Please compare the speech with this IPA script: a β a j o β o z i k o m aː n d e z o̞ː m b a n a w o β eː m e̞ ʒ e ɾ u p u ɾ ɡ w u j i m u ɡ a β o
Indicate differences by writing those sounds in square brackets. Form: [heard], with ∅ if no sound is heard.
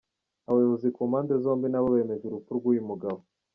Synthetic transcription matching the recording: a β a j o β o z i k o m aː n d e z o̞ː m b [i] n a [β] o β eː m e̞ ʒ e ɾ u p u ɾ ɡ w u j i m u ɡ a β o